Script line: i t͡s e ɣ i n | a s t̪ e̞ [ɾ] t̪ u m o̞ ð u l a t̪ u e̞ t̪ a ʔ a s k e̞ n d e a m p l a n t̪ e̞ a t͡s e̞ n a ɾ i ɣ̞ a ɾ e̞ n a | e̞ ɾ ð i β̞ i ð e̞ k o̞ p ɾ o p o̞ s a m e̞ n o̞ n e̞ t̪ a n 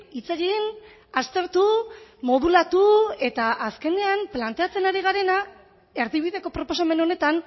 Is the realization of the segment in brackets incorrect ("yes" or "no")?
no